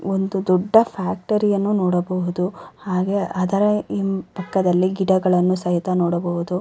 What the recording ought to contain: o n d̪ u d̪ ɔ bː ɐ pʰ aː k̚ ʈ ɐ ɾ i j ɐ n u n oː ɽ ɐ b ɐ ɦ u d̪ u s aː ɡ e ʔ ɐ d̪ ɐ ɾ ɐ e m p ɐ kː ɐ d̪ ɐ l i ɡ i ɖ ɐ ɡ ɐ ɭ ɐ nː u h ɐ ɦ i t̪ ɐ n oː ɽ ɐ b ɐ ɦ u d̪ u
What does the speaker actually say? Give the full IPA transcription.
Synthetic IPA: o n d̪ u d̪ ɔ ɖː ɐ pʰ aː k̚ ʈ ɐ ɾ i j ɐ nː u n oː ɽ ɐ b ɐ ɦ u d̪ u h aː ɡ e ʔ ɐ d̪ ɐ ɾ ɐ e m p ɐ kː ɐ d̪ ɐ lː i ɡ i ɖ ɐ ɡ ɐ ɭ ɐ nː u s ɐ ɦ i t̪ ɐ n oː ɽ ɐ b ɐ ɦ u d̪ u